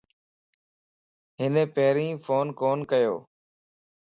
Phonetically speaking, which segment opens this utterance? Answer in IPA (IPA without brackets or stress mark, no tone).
ɦ